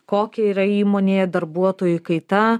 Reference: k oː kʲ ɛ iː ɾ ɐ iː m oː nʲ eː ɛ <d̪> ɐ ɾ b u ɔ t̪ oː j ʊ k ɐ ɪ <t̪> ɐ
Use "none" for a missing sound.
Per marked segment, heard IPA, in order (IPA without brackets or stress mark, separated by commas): d̪, t̪